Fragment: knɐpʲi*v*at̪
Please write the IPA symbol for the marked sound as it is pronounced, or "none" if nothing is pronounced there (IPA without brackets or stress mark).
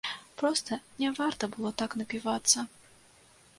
v